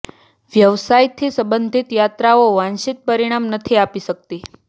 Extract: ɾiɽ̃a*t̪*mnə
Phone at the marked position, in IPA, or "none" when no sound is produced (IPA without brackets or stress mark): none